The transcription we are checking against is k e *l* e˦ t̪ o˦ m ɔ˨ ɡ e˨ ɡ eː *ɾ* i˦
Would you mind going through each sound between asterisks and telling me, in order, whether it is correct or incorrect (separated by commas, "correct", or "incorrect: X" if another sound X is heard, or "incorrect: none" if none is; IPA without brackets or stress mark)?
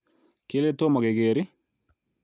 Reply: correct, correct